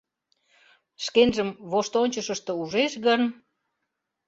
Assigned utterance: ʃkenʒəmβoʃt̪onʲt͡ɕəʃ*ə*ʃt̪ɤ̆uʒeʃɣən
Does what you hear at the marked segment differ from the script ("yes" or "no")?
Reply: no